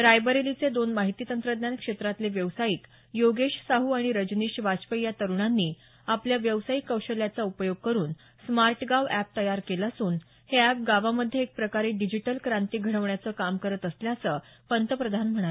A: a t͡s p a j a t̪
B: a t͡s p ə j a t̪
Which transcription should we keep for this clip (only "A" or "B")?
B